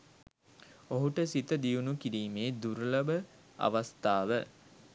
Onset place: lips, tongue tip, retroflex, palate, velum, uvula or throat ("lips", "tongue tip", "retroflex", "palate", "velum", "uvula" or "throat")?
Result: throat